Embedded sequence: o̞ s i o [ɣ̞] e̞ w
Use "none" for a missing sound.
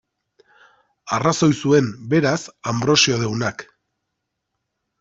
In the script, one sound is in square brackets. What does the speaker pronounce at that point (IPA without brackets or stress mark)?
ð̞